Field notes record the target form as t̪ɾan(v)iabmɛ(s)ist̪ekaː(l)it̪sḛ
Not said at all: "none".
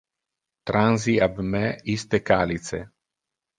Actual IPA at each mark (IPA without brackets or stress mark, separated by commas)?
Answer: z, none, l